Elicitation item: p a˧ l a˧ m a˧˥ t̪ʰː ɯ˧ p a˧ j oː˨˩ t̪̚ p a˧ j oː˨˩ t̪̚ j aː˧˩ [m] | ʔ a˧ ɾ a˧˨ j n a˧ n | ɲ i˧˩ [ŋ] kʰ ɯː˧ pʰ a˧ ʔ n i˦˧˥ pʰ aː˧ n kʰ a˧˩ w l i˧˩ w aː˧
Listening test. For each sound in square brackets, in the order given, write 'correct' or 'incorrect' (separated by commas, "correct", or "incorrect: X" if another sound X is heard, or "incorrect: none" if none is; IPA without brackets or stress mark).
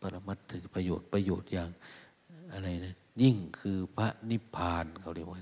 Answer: incorrect: ŋ, correct